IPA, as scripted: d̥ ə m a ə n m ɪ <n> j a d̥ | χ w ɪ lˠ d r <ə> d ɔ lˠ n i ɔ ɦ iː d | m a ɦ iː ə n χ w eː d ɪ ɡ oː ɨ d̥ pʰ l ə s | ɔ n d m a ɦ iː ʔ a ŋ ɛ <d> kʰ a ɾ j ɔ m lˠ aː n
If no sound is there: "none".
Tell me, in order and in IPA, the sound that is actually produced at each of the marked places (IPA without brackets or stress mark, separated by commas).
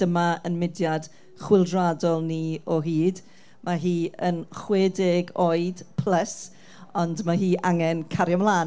d, a, n